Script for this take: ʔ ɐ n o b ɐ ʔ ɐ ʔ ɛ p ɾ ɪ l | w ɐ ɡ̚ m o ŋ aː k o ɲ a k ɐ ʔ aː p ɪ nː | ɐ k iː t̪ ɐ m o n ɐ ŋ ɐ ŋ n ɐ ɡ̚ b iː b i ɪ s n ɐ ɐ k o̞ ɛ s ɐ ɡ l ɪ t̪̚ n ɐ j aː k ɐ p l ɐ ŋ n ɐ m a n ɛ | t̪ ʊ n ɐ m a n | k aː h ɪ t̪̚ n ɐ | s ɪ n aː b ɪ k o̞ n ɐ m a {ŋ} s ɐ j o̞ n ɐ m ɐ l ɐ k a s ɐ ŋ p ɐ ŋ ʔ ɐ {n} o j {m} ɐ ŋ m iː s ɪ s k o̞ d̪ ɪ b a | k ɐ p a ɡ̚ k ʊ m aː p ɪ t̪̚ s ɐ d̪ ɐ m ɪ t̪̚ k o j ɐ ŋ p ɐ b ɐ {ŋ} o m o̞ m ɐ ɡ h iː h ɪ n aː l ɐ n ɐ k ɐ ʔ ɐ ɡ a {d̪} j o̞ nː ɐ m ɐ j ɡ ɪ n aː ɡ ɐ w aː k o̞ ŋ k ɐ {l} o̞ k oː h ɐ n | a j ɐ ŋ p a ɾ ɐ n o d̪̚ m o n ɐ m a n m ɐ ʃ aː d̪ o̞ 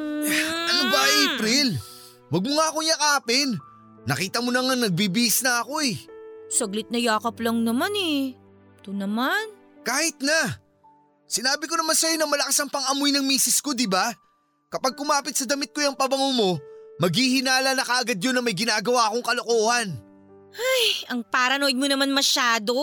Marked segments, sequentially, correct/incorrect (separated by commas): incorrect, incorrect, incorrect, correct, correct, correct